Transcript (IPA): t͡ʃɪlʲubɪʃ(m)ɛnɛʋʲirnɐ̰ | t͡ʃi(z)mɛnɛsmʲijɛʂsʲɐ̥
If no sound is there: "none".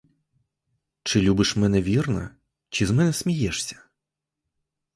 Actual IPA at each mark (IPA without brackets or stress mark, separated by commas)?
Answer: m, z